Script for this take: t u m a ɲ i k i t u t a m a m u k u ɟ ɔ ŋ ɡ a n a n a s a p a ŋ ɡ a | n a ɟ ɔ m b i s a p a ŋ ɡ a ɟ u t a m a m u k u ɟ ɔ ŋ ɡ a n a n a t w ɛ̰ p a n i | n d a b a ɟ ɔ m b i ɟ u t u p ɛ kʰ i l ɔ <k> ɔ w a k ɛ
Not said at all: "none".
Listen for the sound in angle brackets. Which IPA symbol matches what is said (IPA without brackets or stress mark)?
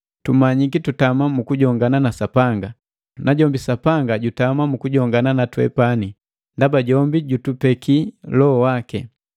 none